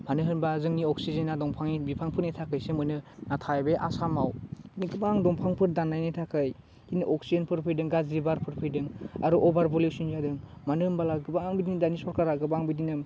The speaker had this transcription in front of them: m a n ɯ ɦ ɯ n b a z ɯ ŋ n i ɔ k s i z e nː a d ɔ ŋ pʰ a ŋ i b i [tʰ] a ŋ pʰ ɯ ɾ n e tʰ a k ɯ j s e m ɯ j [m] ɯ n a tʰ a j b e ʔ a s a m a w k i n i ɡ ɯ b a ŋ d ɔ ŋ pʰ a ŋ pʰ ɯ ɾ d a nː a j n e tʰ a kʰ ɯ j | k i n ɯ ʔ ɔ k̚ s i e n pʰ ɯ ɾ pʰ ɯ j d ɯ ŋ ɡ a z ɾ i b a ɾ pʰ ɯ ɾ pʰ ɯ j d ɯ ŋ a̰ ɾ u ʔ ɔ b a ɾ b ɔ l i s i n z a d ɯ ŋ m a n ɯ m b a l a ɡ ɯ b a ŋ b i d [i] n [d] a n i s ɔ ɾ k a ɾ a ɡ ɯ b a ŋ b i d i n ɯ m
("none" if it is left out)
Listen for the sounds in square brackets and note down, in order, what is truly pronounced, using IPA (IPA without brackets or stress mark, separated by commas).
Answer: pʰ, n, i, d